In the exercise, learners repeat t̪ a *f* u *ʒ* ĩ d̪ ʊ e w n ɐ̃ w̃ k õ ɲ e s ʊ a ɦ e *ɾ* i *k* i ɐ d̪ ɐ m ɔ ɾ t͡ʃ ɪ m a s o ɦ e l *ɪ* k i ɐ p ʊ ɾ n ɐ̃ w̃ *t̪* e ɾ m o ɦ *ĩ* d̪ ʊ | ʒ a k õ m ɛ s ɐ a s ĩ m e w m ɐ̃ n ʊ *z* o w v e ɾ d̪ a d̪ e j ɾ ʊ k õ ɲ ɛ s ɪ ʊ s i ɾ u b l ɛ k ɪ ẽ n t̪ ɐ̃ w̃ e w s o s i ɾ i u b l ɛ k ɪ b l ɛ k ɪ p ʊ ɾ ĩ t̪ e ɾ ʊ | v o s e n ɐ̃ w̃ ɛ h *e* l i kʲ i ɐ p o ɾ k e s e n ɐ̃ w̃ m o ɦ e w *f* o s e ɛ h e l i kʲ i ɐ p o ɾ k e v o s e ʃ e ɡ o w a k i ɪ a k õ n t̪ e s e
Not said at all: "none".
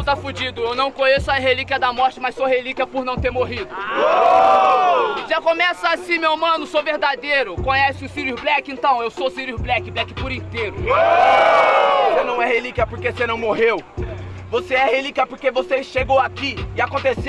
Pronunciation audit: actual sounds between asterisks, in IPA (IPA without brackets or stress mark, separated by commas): f, d͡ʒ, l, k, i, t̪, i, s, e, v